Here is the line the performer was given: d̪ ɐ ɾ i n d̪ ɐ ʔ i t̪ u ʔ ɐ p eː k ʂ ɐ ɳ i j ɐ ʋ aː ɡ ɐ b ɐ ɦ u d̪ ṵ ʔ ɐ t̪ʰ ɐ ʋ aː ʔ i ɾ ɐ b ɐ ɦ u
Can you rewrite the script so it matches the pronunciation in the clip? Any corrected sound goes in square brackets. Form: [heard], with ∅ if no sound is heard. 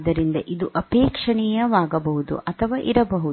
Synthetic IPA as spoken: d̪ ɐ ɾ i n d̪ ɐ ʔ i [d̪] u ʔ ɐ p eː k ʂ ɐ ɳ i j ɐ ʋ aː ɡ ɐ b ɐ ɦ u d̪ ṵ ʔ ɐ t̪ʰ ɐ ʋ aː ʔ i ɾ ɐ b ɐ ɦ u